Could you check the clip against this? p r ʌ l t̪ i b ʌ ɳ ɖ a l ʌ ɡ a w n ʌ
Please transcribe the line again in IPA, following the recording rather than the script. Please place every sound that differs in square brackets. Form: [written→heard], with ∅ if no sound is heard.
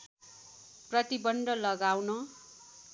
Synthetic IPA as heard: p r ʌ [l→∅] t̪ i b ʌ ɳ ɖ [a→ʌ] l ʌ ɡ a w n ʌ